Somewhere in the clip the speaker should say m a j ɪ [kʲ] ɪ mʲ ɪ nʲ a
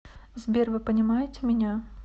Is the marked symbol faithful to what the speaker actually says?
no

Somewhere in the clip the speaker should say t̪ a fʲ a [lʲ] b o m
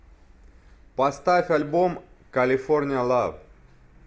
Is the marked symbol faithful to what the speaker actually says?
yes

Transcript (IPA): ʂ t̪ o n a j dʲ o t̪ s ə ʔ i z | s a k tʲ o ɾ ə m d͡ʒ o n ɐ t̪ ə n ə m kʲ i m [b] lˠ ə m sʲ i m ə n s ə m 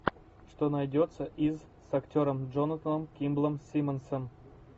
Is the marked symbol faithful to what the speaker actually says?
yes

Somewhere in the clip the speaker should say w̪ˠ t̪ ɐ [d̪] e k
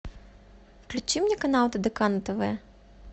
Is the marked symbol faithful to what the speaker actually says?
yes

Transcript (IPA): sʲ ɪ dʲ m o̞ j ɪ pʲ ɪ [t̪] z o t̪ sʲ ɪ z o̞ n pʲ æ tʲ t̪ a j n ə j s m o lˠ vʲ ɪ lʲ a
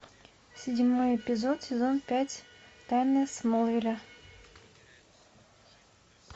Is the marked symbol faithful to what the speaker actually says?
no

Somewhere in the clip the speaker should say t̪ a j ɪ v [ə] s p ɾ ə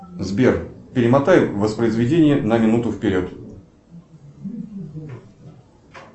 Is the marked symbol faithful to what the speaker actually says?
yes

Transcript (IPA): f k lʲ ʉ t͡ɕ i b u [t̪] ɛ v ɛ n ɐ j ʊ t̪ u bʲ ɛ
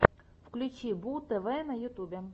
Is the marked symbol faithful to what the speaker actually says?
yes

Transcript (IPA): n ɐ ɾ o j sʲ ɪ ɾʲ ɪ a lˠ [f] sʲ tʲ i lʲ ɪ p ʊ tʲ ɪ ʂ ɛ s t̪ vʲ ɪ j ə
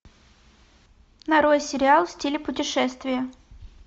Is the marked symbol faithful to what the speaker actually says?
yes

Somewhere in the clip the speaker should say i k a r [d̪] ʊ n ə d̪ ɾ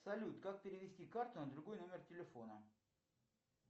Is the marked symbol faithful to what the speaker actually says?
no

